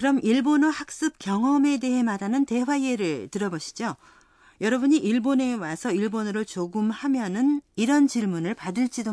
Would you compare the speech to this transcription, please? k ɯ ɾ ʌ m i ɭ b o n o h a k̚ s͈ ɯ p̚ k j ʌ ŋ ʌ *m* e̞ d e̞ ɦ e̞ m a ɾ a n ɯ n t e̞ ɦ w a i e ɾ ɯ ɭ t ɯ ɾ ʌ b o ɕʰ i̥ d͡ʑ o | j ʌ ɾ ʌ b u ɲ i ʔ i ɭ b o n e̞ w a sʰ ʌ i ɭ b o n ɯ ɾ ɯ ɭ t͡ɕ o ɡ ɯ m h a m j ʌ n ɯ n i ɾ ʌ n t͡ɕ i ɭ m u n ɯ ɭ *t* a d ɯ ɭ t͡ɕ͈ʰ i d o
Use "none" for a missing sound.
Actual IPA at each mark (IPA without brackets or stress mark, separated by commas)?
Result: m, p